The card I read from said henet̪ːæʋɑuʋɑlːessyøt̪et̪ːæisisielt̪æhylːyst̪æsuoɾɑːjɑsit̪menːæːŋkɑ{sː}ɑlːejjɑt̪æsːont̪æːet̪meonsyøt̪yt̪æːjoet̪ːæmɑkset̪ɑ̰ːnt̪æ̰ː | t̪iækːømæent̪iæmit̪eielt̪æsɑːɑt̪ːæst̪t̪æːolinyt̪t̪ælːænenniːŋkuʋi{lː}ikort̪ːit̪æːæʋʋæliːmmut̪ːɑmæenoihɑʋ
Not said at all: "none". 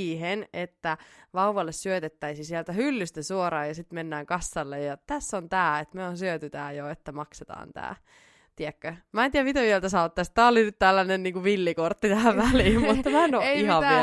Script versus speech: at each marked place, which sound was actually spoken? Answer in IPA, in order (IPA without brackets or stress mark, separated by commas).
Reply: sː, lː